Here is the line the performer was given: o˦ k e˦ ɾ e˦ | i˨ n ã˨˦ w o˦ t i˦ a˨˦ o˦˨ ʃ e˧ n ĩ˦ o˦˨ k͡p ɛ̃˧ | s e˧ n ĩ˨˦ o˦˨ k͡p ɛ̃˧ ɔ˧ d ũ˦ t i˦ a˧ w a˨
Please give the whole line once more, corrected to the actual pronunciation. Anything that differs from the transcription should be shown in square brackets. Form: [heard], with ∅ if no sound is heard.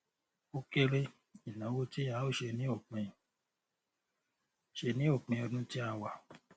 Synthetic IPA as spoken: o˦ k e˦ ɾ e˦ | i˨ n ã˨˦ w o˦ t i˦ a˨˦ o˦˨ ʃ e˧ n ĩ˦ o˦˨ k͡p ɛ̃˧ | [ʃ] e˧ n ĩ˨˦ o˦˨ k͡p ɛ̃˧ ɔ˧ d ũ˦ t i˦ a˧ w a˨

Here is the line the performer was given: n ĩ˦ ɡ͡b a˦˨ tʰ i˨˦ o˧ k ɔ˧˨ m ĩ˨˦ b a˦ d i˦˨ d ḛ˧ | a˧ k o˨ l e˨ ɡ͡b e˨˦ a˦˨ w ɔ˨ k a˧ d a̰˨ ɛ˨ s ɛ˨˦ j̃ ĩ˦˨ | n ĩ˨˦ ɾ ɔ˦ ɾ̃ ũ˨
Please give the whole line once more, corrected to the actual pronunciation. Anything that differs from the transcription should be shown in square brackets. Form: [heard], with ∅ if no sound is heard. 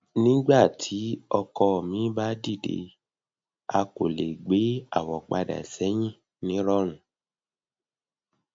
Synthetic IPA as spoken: n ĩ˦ ɡ͡b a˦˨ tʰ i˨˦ [ɔ˧] k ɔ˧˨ m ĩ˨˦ b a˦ d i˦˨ d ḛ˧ | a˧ k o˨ l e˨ ɡ͡b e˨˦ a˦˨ w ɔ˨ [k͡p] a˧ d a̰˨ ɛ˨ s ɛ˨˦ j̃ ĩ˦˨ | n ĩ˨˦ ɾ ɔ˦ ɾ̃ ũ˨

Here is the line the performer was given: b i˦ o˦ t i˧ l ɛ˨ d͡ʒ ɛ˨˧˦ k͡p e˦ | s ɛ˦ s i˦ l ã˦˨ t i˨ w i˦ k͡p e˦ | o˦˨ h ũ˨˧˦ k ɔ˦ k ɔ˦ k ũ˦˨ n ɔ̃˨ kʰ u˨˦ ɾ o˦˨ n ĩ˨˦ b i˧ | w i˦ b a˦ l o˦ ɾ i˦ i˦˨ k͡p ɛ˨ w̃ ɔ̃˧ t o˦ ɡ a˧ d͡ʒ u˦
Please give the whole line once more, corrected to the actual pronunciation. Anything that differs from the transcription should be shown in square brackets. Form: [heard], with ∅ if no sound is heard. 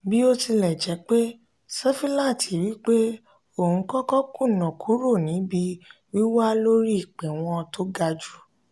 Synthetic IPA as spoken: b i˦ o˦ t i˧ l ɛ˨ d͡ʒ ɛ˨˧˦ k͡p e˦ | s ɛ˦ [f] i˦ l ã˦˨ t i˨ w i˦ k͡p e˦ | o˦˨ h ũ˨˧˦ k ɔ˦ k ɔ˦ k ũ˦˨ n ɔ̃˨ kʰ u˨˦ ɾ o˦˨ n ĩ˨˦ b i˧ | w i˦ [w] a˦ l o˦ ɾ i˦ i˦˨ k͡p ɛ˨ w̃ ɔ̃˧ t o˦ ɡ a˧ d͡ʒ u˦

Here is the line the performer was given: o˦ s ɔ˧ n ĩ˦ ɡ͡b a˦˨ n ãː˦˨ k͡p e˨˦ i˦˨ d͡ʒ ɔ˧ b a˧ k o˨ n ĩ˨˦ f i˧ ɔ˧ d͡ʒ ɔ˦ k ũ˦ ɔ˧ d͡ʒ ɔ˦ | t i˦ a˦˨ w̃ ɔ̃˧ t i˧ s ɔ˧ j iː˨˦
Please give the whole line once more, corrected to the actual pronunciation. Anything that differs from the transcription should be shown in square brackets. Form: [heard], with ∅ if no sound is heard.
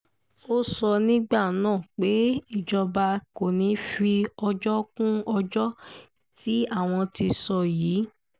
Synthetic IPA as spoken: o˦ s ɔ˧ n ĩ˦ ɡ͡b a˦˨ n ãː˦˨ k͡p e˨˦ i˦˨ d͡ʒ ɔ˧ b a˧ k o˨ n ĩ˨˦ f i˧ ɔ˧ d͡ʒ ɔ˦ k ũ˦ ɔ˧ d͡ʒ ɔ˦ | t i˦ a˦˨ w̃ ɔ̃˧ t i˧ s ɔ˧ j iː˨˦

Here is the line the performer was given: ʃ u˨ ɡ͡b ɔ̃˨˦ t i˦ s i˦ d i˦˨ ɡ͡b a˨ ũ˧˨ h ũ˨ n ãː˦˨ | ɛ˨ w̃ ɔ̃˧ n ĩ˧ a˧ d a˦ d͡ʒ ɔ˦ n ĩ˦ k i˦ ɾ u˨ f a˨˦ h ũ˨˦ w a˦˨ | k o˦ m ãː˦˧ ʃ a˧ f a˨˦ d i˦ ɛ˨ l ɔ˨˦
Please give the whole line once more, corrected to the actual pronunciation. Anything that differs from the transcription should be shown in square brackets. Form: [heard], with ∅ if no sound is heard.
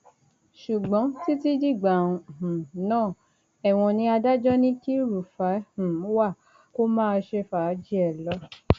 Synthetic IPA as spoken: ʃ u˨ ɡ͡b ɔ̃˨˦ t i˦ [t] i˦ [d͡ʒ] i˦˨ ɡ͡b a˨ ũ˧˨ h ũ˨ n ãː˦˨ | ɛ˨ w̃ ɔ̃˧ n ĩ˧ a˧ d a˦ d͡ʒ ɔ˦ n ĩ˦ k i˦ ɾ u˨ f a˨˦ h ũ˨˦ w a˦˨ | k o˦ m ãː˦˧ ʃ [e˧] f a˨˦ [d͡ʒ] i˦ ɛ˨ l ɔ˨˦

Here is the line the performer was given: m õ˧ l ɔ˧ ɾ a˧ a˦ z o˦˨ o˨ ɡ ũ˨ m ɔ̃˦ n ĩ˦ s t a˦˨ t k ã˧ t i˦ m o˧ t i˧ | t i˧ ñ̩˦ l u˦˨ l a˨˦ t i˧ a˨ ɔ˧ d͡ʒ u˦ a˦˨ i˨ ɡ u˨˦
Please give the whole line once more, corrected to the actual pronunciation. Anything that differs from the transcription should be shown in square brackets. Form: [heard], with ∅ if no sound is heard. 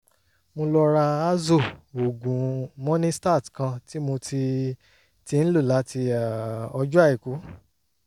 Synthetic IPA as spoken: m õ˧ l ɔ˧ ɾ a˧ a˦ z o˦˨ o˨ ɡ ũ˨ m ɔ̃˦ n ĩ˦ s t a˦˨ t k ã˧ t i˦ m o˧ t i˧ | t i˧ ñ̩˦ l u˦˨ l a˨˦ t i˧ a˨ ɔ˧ d͡ʒ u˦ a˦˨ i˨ [k] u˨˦

